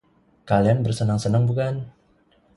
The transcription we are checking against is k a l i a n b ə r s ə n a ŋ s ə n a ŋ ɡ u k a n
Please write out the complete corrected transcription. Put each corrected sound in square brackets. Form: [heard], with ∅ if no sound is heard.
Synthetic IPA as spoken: k a l i a n b ə r s ə n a ŋ s ə n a ŋ [b] u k a n